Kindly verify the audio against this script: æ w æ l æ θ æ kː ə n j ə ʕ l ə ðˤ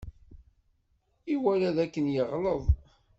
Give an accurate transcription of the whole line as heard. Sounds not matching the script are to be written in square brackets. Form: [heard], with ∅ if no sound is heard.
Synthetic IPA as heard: [i] w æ l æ [ð] æ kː ə n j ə [ʁ] l ə ðˤ